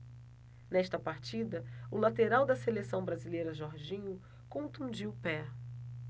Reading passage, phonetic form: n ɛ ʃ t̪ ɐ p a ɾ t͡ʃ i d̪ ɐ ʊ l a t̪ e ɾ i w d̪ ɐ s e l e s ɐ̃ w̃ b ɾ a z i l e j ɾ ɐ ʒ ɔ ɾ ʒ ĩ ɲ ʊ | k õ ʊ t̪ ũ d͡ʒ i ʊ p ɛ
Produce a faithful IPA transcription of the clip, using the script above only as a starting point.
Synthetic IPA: n ɛ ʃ t̪ ɐ p a ɾ t͡ʃ i d̪ ɐ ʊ l a t̪ e ɾ a w d̪ ɐ s e l e s ɐ̃ w̃ b ɾ a z i l e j ɾ ɐ ʒ ɔ ɾ ʒ ĩ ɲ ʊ | k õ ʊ t̪ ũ d͡ʒ i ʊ p ɛ